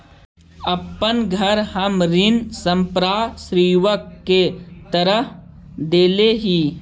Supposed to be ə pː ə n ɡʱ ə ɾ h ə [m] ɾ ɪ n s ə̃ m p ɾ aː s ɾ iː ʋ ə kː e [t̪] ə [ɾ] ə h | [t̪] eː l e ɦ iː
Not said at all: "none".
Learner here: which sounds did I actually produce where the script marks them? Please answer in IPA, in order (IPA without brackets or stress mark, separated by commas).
m, t̪, ɾ, d̪